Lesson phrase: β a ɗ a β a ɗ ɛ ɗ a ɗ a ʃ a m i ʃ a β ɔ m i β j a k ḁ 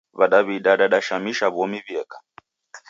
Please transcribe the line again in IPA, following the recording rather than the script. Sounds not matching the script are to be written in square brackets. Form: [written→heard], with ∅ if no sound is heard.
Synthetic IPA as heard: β a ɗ a β [a→i] ɗ [ɛ→a] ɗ a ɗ a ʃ a m i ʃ a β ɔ m i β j [a→ɛ] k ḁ